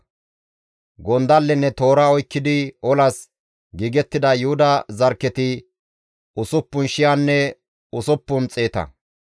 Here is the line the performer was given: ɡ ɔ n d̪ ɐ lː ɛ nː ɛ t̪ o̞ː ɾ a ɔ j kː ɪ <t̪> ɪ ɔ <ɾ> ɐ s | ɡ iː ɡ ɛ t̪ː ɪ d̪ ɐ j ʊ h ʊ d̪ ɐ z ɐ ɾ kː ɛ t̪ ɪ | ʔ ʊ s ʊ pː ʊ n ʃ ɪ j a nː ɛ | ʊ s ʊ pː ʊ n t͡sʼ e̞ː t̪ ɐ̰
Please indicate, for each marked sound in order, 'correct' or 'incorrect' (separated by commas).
incorrect, incorrect